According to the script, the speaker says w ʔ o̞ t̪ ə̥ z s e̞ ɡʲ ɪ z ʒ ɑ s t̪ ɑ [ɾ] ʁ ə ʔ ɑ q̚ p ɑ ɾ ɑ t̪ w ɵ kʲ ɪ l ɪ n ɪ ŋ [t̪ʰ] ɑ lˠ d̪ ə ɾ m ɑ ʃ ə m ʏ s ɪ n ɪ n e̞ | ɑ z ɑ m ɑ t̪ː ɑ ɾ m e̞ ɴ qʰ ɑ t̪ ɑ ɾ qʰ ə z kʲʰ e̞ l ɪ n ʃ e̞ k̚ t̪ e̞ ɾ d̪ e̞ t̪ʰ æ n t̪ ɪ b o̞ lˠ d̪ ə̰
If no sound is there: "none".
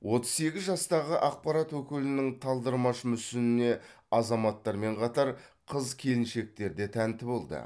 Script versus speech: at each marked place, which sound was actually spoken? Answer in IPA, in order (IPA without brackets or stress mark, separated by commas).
none, t̪ʰ